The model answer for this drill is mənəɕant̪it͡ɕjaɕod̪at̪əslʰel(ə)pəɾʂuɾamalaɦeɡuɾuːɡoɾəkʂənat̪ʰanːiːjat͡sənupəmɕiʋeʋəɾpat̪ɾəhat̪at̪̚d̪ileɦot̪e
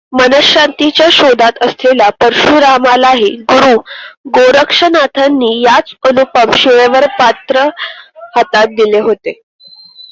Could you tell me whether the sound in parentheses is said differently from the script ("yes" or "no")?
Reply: yes